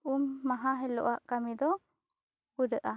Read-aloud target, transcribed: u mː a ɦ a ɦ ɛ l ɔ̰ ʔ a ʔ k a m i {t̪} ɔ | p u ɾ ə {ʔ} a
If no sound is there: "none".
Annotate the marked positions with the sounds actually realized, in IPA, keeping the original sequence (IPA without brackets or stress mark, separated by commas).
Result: d̪, ʔ